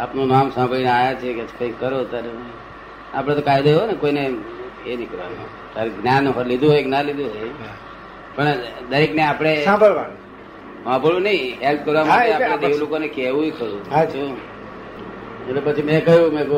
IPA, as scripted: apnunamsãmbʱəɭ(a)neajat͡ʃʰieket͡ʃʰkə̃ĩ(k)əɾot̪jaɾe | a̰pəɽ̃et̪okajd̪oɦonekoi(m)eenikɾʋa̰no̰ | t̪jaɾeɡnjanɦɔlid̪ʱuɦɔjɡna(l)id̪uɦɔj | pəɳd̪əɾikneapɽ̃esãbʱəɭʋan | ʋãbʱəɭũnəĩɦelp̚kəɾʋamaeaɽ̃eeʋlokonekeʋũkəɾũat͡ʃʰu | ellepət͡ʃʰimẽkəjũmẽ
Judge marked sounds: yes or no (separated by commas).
no, yes, no, yes